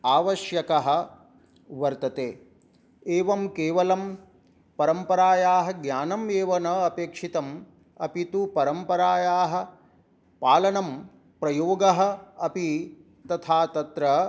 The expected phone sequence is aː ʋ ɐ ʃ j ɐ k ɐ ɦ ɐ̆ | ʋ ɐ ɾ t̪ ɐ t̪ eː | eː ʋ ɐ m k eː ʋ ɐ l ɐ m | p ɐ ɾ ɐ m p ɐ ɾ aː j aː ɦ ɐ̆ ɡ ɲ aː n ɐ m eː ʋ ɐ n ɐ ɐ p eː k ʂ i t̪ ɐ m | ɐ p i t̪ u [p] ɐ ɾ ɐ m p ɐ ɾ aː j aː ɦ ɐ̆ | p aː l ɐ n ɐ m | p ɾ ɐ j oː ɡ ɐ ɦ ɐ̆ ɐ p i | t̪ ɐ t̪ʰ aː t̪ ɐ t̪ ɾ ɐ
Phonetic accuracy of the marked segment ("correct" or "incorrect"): correct